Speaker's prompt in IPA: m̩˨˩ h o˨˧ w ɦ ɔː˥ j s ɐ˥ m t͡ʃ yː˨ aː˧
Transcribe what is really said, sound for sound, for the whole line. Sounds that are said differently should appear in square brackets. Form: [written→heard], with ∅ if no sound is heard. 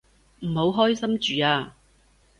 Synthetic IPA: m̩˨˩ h o˨˧ w ɦ ɔː˥ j s ɐ˥ m t͡ʃ yː˨ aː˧